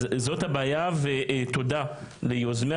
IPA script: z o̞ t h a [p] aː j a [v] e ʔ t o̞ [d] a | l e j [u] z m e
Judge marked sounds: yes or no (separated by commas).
no, yes, yes, no